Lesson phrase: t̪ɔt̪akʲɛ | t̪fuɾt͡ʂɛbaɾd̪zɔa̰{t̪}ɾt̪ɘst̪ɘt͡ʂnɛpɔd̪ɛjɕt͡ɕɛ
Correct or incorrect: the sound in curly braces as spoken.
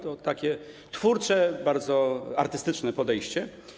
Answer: incorrect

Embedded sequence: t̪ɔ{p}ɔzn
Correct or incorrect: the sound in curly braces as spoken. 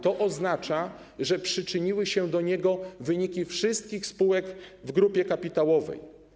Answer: incorrect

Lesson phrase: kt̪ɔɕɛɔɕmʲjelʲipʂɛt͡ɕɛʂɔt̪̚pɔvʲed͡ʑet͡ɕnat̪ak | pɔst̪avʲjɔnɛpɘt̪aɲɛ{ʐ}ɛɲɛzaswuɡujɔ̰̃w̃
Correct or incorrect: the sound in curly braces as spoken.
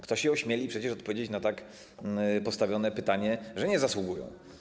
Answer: correct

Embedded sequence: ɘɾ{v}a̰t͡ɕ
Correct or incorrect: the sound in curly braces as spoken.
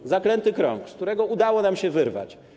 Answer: correct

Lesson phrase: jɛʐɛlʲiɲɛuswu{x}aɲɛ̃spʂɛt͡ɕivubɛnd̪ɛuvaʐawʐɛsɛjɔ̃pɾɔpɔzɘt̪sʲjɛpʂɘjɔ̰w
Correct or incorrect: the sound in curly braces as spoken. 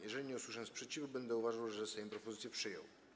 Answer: incorrect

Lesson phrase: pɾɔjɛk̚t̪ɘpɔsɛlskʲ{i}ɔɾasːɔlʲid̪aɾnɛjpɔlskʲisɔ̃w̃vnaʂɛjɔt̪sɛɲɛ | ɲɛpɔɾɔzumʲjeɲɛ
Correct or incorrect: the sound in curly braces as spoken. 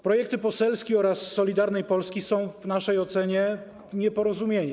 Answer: correct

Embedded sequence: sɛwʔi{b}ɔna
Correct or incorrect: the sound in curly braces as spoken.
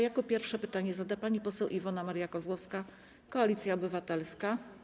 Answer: incorrect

